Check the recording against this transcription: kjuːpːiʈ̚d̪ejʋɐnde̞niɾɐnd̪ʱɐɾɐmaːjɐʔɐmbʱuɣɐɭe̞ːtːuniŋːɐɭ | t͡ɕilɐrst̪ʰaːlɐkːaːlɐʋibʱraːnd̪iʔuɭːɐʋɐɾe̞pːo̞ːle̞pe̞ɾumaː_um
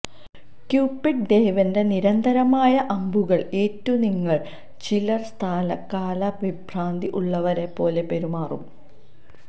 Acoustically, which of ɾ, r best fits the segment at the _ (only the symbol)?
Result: r